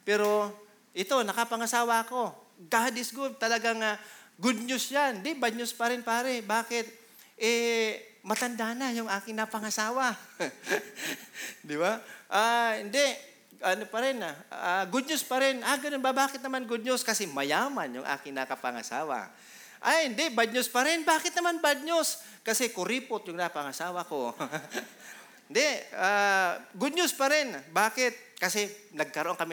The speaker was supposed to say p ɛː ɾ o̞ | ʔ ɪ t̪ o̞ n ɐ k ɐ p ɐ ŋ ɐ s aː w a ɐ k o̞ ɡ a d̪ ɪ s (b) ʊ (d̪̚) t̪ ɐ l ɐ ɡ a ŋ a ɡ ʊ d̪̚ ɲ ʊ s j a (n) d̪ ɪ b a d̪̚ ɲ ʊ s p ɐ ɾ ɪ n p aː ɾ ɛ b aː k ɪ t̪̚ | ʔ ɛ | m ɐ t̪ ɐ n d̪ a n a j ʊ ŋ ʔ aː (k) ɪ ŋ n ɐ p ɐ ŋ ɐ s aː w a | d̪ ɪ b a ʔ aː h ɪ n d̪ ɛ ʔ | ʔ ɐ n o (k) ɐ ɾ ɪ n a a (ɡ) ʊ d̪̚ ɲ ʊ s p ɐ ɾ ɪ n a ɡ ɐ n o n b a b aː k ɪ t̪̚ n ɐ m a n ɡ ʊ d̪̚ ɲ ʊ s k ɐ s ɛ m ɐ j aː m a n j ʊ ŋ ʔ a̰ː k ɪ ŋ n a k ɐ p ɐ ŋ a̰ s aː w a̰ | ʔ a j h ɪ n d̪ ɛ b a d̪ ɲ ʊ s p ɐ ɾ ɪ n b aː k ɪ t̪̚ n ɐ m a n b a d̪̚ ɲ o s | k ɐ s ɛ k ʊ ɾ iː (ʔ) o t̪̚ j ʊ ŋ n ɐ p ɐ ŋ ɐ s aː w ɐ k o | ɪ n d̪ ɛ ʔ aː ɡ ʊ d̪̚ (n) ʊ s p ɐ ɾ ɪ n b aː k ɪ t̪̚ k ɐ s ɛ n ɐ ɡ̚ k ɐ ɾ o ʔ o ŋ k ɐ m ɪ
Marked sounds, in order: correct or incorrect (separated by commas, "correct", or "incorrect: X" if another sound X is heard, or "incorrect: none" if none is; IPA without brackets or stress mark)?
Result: incorrect: ɡ, correct, correct, correct, incorrect: p, correct, incorrect: p, incorrect: ɲ